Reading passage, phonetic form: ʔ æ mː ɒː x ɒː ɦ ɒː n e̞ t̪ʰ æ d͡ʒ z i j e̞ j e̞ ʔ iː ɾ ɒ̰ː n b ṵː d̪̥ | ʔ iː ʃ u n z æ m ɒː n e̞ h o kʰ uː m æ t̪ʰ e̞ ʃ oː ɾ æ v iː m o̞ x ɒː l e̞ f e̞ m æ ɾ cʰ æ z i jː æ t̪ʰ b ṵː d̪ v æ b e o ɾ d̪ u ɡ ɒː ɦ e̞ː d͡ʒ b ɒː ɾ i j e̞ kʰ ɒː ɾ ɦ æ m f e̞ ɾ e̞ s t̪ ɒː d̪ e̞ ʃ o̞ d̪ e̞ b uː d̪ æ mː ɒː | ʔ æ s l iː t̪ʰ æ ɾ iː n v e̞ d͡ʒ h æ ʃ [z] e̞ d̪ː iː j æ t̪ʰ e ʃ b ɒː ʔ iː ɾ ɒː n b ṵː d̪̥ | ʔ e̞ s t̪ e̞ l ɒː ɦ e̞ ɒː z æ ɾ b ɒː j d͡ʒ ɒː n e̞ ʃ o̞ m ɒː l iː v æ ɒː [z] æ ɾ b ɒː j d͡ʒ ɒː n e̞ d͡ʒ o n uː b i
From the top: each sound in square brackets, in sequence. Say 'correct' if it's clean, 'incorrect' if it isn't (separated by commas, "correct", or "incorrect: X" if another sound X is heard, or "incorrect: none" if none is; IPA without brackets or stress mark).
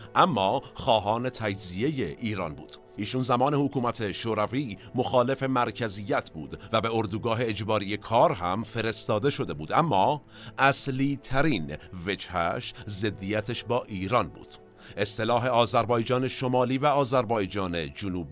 correct, correct